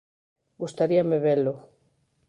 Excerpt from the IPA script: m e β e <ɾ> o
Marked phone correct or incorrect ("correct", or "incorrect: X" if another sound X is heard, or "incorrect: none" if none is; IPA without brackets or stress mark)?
incorrect: l